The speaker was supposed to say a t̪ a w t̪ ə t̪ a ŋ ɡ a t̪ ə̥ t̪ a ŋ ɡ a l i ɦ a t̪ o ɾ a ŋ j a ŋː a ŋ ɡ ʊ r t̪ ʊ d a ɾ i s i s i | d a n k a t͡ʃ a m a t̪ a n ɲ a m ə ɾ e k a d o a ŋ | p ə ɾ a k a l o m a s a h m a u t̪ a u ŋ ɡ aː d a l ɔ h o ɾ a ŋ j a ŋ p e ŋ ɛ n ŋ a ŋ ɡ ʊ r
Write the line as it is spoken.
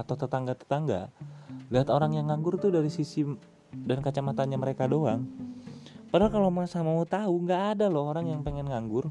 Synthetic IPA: a t̪ a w t̪ ə t̪ a ŋ ɡ a t̪ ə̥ t̪ a ŋ ɡ a l i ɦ a t̪ o ɾ a ŋ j a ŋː a ŋ ɡ ʊ r t̪ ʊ d a ɾ i s i s i | d a n k a t͡ʃ a m a t̪ a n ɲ a m ə ɾ e k a d o a ŋ | p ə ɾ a k a l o m a s a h m a u t̪ a u ŋ ɡ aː d a l ɔ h o ɾ a ŋ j a ŋ p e ŋ ɛ n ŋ a ŋ ɡ ʊ r